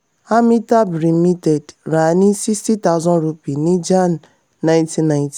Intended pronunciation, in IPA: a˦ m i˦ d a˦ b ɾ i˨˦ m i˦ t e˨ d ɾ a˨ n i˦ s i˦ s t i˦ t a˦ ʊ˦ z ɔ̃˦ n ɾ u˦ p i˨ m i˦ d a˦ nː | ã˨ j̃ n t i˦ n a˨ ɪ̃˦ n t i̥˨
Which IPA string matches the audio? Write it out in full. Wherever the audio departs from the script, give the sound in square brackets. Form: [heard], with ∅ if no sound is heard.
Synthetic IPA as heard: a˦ m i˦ [t] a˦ b ɾ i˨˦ m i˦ t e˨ d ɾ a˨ n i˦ s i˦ s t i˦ t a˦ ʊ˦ z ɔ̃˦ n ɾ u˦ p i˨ [n] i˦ [d͡ʒ] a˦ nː | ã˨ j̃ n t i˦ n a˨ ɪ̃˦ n t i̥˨